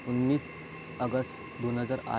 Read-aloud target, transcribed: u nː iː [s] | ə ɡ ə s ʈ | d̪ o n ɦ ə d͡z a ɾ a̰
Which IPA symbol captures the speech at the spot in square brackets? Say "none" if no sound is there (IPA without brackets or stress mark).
s